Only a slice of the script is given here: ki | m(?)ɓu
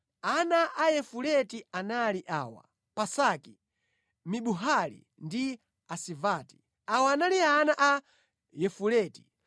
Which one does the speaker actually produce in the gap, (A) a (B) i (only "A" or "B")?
B